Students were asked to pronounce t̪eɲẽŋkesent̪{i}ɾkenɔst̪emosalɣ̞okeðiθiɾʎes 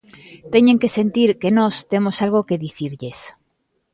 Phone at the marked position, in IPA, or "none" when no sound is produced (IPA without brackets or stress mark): i